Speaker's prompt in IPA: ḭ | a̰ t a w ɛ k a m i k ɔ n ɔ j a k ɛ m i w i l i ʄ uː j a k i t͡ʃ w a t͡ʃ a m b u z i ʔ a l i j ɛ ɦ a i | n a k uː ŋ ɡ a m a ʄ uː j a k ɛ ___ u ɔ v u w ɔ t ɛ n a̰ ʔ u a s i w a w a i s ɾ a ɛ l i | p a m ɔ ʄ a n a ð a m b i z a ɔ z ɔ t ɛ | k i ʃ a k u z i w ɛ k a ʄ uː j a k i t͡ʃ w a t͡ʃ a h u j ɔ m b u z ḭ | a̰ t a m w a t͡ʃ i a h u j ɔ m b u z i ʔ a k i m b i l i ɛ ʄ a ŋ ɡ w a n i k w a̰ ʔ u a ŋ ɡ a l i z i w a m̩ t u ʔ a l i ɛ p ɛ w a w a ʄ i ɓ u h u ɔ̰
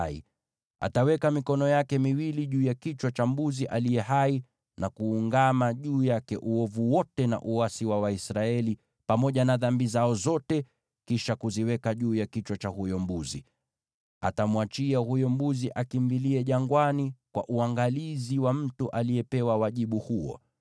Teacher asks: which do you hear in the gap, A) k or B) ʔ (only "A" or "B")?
B